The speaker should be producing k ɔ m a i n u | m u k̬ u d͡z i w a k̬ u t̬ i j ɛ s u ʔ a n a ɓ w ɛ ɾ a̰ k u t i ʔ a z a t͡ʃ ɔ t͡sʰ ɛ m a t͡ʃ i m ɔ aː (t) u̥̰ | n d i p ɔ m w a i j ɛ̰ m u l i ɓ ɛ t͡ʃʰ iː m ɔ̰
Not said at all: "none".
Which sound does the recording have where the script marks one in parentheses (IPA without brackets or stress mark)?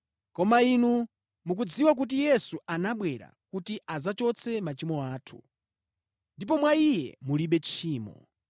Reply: tʰ